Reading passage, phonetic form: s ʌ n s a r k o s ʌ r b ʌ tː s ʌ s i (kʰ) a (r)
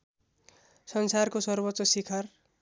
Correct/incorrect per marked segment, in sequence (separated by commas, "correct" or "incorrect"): correct, correct